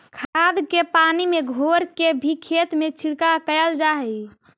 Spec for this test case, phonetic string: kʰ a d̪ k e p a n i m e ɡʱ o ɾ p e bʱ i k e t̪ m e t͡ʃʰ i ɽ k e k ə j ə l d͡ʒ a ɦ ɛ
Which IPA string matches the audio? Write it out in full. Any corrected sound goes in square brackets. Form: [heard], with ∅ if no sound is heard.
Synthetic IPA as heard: kʰ a d̪ k e p a n i m e ɡʱ o ɾ [k] e bʱ i [kʰ] e t̪ m e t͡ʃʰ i ɽ k [a] k ə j ə l d͡ʒ a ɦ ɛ